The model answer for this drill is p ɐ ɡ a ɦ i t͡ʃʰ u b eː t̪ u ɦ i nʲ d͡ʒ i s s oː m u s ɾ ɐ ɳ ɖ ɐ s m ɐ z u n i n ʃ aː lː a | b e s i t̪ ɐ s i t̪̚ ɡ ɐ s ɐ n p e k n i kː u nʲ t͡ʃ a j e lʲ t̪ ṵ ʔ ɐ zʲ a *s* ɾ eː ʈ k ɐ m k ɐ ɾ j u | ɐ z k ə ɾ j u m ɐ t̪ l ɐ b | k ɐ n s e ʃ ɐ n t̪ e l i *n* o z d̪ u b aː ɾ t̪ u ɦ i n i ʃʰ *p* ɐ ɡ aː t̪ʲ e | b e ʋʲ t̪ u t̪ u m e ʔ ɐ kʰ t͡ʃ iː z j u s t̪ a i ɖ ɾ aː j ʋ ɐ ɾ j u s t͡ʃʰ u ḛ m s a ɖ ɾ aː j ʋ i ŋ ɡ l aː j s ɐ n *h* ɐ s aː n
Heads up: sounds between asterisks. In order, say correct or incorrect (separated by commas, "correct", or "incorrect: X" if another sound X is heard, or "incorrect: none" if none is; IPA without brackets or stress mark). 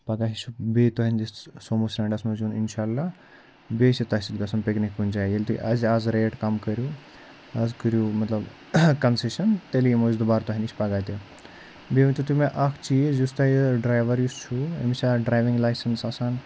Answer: incorrect: z, incorrect: m, correct, incorrect: s